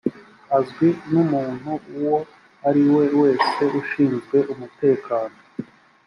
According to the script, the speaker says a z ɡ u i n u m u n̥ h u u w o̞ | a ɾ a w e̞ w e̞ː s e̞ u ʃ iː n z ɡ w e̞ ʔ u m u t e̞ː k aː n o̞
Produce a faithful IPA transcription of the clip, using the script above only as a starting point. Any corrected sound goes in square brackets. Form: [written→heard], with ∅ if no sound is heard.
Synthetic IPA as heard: a z ɡ [u→w] i n u m [u→uː] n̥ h u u w o̞ | a ɾ [a→i] w e̞ w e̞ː s e̞ u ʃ iː n z ɡ w e̞ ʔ u m u t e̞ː k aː n o̞